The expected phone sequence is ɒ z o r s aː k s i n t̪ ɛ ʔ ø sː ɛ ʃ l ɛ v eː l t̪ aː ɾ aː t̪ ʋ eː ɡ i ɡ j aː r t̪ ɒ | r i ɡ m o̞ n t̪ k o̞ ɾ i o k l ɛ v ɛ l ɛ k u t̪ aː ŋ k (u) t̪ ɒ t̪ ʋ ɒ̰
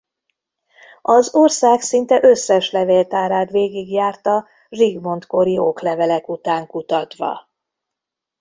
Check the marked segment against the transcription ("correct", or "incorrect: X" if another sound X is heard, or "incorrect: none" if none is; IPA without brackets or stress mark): correct